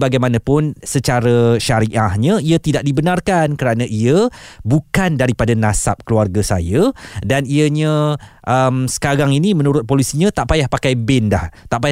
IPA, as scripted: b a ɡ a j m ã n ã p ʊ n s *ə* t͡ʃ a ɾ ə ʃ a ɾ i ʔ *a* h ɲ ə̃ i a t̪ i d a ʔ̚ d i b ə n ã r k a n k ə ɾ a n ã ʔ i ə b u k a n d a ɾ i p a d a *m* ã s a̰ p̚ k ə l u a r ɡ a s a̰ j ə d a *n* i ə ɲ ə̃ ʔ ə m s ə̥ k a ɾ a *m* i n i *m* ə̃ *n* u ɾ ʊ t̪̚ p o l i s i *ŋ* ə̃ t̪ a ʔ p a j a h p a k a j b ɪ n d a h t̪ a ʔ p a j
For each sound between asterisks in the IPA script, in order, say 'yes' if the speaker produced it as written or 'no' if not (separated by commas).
yes, yes, no, yes, no, yes, yes, no